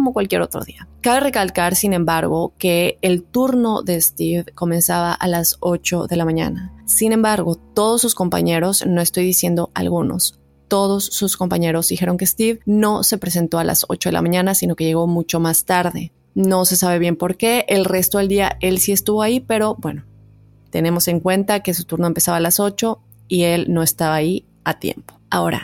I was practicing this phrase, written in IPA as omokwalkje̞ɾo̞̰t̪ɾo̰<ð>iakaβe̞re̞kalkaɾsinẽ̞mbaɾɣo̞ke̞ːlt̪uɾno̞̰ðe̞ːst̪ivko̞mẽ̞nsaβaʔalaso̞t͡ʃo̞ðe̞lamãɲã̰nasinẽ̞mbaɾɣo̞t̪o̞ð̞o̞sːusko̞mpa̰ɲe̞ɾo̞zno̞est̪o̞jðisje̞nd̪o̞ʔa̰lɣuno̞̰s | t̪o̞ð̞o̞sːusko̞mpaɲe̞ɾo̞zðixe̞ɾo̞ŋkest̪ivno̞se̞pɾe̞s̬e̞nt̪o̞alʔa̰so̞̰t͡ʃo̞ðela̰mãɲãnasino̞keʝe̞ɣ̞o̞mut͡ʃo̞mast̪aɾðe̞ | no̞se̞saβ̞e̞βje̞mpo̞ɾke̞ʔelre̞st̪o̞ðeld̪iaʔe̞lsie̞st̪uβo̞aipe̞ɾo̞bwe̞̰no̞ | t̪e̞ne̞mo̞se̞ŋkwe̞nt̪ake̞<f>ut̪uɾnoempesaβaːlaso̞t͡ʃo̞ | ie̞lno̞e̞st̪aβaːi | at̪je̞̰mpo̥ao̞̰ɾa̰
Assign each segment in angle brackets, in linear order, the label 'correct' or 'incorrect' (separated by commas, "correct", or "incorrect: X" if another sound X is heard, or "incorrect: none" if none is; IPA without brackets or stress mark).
correct, incorrect: s